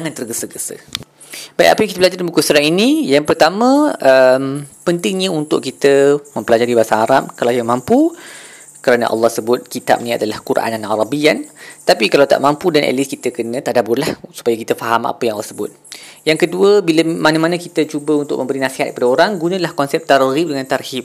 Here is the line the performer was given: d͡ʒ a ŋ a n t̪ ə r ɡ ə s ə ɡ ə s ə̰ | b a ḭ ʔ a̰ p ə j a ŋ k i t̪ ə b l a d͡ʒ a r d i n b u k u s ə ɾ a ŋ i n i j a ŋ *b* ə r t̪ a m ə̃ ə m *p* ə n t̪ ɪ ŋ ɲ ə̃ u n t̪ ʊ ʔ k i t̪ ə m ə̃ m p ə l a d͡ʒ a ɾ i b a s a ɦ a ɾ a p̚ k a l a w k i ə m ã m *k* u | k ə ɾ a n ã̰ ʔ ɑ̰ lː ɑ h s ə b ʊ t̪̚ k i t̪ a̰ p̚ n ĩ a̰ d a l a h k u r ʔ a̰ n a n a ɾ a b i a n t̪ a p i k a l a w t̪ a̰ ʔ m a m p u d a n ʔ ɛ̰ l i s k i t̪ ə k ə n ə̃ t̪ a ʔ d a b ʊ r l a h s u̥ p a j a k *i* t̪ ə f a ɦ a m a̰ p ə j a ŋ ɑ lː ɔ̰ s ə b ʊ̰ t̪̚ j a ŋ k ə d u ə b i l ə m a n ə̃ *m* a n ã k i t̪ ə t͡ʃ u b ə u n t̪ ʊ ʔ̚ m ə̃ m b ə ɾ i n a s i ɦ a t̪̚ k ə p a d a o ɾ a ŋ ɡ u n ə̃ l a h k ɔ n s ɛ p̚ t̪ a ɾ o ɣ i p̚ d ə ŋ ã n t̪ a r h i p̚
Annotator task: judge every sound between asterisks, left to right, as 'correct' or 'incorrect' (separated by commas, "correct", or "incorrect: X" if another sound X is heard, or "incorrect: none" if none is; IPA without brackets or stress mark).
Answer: incorrect: p, correct, incorrect: p, correct, correct